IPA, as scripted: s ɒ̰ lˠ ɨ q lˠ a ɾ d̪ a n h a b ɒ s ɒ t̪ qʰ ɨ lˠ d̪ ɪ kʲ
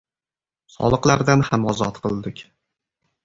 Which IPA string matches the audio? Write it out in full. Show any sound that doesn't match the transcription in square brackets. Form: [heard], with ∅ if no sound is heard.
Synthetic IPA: s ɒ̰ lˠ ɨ q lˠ a ɾ d̪ a n h a [m] ɒ [z] ɒ t̪ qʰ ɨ lˠ d̪ ɪ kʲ